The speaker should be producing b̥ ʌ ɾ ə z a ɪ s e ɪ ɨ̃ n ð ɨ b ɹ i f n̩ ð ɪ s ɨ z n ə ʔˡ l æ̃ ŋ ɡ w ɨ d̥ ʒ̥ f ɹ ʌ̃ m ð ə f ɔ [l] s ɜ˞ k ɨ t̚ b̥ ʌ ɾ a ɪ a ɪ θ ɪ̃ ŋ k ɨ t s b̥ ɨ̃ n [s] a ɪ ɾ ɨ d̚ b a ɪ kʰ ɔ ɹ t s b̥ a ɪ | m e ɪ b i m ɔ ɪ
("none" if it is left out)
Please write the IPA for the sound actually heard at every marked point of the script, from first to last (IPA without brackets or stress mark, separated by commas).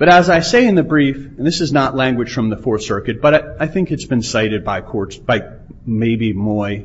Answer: ɹ, s